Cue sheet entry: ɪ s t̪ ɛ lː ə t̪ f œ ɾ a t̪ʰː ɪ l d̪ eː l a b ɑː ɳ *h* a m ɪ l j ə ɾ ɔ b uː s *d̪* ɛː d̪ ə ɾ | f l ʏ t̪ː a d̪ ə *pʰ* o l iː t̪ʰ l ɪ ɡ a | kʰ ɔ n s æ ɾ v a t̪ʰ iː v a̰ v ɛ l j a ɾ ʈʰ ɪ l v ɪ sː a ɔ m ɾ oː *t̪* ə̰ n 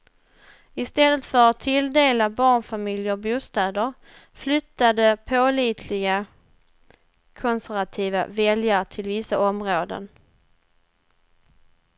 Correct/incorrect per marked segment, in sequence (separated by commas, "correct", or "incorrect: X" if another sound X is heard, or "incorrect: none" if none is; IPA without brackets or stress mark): incorrect: f, incorrect: t̪, correct, incorrect: d̪